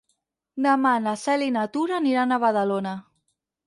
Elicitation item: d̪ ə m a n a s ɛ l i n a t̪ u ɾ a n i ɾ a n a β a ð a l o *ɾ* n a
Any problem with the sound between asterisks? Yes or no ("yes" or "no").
yes